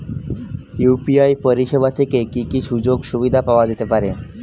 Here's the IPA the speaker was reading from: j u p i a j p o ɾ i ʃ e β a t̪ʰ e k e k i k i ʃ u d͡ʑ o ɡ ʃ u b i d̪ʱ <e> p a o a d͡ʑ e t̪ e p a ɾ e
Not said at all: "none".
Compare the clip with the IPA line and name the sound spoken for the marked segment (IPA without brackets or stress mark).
a